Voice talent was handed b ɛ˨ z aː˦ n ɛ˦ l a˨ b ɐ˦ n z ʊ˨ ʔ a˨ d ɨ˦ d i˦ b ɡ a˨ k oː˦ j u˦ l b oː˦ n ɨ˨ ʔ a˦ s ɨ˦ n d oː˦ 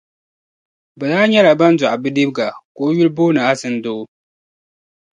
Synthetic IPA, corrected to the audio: b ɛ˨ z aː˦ ɲ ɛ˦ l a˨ b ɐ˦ n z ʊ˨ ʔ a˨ b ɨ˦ d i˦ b ɡ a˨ k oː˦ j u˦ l b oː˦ n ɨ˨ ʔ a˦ s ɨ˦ n d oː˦